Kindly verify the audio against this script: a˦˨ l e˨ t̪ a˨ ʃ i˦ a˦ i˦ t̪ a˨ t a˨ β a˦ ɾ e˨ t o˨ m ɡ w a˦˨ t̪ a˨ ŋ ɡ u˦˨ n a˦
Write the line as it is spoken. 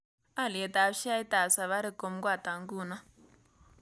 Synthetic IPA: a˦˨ l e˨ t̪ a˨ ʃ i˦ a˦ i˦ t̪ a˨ s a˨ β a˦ ɾ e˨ k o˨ m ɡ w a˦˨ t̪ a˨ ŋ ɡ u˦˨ n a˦